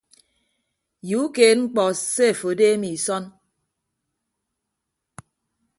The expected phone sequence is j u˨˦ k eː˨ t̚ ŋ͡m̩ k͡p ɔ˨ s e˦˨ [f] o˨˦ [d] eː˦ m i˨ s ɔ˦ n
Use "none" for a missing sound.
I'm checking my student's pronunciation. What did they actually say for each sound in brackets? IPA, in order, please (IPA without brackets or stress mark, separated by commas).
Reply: f, d